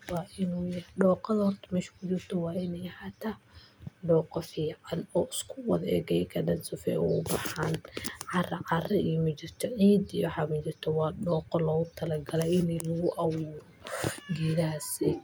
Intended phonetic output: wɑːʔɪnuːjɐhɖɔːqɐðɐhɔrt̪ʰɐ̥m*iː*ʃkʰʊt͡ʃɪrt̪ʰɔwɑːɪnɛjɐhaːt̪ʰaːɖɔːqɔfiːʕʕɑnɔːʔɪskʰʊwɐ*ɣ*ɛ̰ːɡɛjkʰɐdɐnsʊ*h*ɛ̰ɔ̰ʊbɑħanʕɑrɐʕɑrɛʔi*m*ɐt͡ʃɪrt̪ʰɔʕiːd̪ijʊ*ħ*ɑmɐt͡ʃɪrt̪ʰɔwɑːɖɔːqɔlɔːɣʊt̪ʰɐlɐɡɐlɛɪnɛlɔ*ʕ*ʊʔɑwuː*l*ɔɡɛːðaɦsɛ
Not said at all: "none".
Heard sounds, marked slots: ɛː, ð, f, m, ħ, ɣ, ɾ

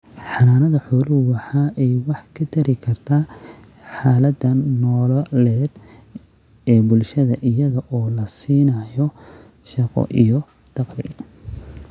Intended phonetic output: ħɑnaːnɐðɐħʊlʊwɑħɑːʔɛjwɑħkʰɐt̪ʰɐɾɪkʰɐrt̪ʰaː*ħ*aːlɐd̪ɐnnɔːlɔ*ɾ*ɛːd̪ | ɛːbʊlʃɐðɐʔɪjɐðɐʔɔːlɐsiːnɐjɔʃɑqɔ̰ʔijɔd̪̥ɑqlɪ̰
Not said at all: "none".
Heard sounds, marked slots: ħ, l

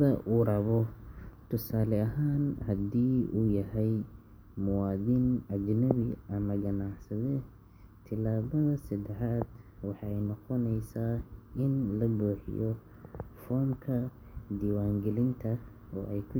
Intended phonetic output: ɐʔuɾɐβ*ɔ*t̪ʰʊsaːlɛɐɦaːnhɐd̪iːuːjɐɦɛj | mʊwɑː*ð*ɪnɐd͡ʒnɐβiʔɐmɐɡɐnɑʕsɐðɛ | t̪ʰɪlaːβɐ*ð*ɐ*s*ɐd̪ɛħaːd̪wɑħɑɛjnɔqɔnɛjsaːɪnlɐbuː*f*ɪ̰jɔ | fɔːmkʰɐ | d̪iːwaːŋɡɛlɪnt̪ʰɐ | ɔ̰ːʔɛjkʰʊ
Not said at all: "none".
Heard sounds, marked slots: ɔ, ð, ð, s, ħ

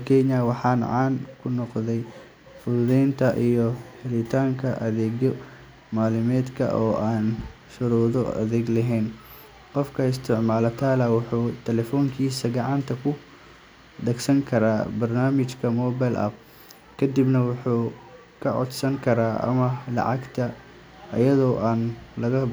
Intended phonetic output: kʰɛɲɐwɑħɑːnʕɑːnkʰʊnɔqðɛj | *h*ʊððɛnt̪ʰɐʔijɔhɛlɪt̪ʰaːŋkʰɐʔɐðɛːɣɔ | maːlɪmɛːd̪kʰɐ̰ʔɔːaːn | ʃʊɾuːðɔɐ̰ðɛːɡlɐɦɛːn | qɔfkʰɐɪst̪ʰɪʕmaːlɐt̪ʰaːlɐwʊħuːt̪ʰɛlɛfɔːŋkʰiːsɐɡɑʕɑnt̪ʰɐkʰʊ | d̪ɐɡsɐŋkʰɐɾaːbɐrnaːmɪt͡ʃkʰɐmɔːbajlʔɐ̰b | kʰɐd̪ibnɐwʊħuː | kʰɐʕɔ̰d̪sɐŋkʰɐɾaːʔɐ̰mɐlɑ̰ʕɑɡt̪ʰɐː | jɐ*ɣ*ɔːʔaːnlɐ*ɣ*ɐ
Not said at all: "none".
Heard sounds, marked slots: f, ð, ɣ

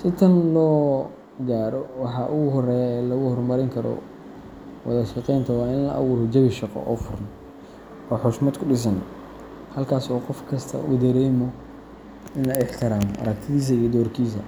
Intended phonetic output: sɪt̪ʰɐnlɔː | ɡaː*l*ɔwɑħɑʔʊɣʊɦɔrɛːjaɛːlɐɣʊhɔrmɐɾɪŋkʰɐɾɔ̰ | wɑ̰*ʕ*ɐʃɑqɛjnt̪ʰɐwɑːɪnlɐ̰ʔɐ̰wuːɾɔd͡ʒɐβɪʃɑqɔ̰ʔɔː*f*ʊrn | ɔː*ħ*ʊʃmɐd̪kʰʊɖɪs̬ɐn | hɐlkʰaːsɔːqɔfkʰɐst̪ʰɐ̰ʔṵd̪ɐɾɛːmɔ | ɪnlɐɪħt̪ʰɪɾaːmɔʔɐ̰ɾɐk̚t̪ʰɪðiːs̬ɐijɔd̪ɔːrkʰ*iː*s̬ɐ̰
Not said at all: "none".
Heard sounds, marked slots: ɾ, ð, f, ħ, iː

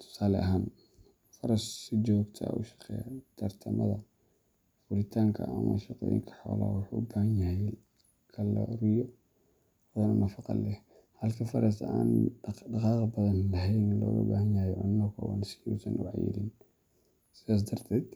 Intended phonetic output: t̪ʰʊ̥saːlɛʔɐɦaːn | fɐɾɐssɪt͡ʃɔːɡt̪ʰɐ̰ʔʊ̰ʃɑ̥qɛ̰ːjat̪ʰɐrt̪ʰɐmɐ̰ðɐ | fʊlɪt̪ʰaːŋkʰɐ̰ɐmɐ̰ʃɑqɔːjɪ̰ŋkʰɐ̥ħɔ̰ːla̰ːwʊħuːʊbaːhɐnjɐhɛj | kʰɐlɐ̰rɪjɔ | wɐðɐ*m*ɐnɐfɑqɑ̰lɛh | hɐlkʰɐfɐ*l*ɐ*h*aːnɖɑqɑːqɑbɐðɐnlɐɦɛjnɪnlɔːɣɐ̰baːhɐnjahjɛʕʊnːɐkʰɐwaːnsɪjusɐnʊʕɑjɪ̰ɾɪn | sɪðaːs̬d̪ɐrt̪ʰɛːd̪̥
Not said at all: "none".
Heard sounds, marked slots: n, ɾ, s

